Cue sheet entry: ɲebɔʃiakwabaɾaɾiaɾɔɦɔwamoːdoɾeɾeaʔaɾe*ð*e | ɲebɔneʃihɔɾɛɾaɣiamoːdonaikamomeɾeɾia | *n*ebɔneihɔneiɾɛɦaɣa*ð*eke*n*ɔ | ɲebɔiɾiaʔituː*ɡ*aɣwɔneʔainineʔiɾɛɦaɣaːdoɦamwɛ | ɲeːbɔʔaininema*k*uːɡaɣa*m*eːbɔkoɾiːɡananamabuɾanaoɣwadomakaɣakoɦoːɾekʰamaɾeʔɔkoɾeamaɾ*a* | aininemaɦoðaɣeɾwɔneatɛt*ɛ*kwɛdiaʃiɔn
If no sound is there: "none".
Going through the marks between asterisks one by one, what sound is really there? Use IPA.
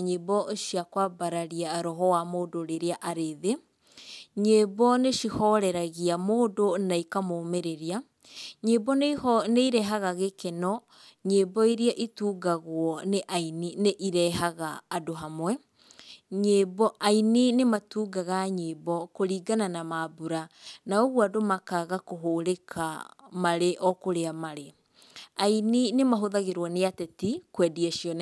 ð, ɲ, ɣ, n, ɡ, t, ɲ, e, i

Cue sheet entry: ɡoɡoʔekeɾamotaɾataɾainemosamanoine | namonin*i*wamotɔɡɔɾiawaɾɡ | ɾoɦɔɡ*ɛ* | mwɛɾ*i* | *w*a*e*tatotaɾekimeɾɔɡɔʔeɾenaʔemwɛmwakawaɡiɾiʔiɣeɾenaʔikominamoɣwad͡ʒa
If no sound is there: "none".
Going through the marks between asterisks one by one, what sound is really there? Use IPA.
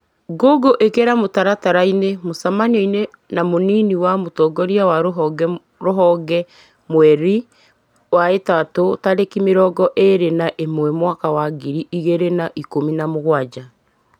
i, ɛ, i, w, e

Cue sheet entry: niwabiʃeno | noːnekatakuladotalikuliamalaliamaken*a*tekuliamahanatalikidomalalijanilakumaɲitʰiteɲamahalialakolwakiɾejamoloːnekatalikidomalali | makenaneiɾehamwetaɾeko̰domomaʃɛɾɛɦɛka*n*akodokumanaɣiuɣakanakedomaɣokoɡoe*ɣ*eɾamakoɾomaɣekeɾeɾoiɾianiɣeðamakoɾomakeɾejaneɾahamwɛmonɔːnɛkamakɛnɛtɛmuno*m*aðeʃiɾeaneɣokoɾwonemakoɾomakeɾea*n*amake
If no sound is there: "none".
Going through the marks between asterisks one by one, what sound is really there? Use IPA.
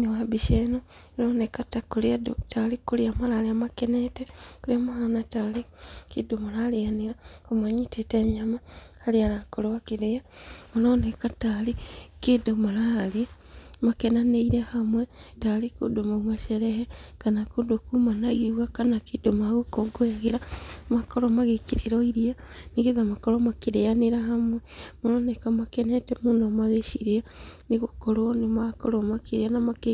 e, n, ɣ, m, n

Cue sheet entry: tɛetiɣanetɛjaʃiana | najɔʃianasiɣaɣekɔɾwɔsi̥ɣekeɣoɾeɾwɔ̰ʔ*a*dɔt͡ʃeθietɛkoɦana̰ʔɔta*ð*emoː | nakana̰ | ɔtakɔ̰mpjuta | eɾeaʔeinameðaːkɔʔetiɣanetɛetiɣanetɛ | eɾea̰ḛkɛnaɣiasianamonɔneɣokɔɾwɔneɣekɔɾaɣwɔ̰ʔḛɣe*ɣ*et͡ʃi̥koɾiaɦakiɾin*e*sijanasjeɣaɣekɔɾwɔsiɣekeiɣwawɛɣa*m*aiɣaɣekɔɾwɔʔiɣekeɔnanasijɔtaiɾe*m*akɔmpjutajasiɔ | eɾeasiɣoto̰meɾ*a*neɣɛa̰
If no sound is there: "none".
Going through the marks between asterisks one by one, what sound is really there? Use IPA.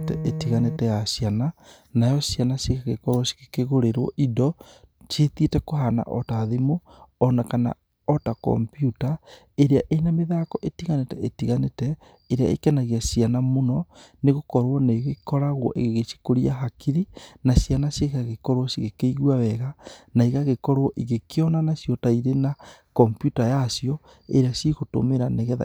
i, ð, ɣ, a, n, n, a

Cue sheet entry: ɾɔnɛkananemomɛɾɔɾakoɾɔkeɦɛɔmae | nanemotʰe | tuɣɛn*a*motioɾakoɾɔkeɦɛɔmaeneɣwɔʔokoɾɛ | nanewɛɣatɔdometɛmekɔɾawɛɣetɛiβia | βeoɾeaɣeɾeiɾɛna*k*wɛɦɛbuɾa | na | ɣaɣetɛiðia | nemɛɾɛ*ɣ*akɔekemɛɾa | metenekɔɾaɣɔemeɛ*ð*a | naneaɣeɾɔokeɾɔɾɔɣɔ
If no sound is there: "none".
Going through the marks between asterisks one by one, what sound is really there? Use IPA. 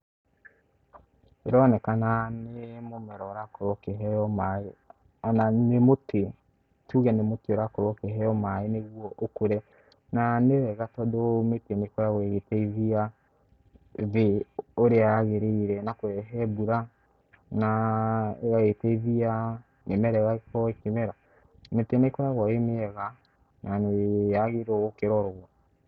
e, k, ɣ, ɣ

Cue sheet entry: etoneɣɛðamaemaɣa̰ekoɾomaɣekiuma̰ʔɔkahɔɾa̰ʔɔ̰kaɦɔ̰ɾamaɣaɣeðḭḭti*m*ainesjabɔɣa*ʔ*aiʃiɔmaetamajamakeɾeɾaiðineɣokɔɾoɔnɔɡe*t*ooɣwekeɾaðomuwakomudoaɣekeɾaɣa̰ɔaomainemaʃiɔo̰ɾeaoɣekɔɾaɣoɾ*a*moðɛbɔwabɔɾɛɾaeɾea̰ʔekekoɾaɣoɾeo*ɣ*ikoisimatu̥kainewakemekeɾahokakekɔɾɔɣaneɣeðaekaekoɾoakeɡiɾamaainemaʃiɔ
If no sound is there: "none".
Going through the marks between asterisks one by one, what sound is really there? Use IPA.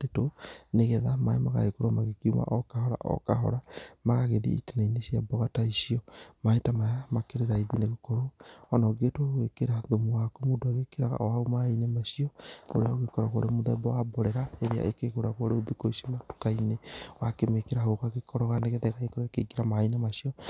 n, t, t, e, ð

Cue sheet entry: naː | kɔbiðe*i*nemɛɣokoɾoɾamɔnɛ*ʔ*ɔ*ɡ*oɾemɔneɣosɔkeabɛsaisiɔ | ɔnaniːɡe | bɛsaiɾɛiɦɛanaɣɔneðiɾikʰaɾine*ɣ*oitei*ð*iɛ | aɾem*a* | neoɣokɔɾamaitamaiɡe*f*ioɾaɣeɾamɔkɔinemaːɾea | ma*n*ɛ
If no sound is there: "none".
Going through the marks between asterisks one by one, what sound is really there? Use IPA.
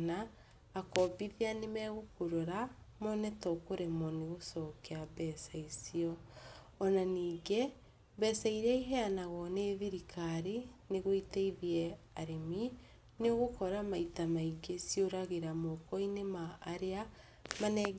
a, t, k, ɣ, ð, i, s, n

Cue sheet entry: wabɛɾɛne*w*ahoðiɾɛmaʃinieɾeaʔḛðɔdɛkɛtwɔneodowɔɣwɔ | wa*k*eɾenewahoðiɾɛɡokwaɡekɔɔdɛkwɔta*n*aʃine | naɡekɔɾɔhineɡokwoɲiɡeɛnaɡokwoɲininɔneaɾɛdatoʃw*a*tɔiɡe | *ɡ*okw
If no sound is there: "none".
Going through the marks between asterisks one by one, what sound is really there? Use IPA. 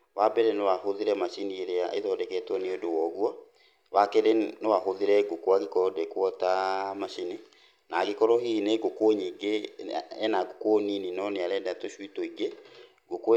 w, k, m, i, ɡ

